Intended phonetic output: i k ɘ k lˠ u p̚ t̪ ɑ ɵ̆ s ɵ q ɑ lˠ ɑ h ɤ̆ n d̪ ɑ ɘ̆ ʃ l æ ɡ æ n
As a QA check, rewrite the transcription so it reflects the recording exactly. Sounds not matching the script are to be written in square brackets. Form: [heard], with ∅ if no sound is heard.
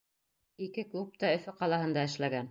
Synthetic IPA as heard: i k ɘ k lˠ u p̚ t̪ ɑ ɵ̆ [f] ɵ q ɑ lˠ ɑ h ɤ̆ n d̪ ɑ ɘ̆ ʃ l æ ɡ æ n